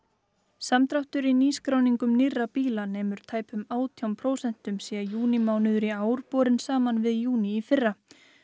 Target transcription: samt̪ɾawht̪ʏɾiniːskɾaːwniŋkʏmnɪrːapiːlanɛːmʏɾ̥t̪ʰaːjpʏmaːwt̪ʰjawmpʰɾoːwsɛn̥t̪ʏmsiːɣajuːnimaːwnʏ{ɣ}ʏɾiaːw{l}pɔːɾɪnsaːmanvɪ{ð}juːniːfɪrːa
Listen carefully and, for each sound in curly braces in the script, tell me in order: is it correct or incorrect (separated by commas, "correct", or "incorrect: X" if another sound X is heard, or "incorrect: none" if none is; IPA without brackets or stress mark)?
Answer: incorrect: ð, incorrect: ɾ, correct